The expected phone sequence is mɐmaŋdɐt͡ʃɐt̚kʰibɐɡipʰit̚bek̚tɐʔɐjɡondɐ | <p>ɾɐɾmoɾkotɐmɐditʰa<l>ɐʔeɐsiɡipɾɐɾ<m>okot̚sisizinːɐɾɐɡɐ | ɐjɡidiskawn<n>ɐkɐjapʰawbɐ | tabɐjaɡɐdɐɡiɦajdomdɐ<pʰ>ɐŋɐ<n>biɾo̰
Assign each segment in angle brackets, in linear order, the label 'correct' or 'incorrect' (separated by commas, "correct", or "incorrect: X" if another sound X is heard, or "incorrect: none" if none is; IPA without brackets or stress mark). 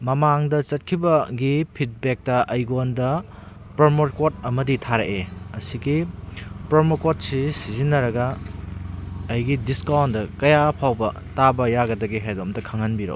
correct, incorrect: ɾ, correct, incorrect: d, incorrect: kʰ, correct